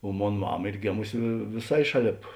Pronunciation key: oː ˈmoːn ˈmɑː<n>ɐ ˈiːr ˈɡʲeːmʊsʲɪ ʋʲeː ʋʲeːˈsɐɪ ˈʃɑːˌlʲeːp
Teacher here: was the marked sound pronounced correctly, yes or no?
no